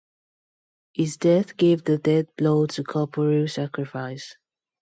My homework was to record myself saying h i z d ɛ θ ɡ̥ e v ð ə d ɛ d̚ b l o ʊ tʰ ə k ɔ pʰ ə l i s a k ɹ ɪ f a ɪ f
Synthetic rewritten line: h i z d ɛ θ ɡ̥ e v ð ə d ɛ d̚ b l o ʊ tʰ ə kʰ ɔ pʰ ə ɹ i s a k ɹ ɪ f a ɪ s